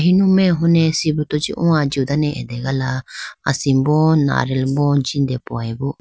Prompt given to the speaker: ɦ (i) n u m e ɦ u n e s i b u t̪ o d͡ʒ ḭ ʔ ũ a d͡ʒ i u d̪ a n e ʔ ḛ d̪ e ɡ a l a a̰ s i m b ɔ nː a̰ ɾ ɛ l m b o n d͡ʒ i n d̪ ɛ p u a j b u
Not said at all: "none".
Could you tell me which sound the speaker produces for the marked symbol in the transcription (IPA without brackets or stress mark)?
i